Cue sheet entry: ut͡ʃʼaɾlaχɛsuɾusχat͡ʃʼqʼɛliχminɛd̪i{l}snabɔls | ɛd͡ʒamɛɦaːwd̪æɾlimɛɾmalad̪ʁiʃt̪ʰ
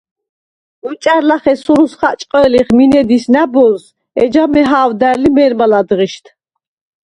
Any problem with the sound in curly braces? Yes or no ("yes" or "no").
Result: yes